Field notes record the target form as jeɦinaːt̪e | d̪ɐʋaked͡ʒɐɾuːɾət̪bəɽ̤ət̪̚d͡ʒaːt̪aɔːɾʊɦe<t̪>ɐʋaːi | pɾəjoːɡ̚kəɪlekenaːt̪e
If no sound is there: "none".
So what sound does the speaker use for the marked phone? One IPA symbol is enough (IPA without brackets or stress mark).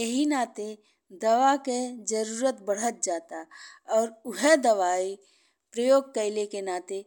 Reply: d̪